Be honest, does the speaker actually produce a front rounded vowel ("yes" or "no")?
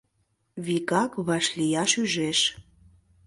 yes